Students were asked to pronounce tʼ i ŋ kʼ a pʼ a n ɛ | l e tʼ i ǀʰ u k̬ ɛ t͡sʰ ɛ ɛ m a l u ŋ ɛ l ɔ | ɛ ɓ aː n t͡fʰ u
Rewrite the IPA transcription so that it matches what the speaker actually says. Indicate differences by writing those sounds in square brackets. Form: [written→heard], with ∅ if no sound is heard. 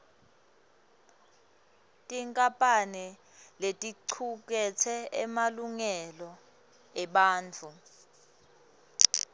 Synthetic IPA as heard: tʼ i ŋ kʼ a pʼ a n ɛ | l e tʼ i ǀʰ u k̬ ɛ t͡sʰ ɛ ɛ m a l u ŋ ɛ l ɔ | ɛ ɓ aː n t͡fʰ u